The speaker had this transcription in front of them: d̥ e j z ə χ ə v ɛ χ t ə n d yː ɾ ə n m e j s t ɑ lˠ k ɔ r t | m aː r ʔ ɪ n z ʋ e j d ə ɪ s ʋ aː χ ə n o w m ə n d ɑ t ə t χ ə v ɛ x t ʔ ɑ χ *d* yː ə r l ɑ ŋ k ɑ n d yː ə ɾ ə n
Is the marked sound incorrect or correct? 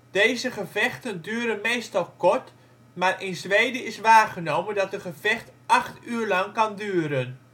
incorrect